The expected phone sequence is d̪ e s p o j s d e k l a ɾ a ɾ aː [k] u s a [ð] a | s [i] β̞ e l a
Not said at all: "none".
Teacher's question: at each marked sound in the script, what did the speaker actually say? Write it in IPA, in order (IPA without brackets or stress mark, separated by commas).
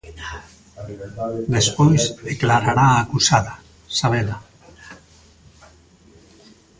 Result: k, ð, a